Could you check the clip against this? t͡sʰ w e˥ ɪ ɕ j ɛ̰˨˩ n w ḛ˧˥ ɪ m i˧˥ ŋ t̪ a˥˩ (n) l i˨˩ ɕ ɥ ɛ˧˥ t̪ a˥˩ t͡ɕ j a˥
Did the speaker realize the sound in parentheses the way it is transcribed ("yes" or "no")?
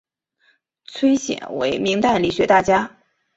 yes